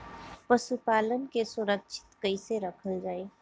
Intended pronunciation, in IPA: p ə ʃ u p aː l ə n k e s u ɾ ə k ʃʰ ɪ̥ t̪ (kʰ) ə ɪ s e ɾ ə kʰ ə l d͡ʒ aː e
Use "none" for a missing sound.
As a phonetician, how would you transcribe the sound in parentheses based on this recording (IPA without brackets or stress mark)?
k